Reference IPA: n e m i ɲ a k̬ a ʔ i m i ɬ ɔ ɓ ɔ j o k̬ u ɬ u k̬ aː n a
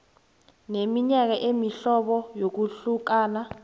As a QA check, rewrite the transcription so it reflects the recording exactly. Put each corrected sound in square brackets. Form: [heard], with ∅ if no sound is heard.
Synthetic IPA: n e m i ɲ a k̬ a ʔ [e] m i ɬ ɔ ɓ ɔ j o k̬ u ɬ u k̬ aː n a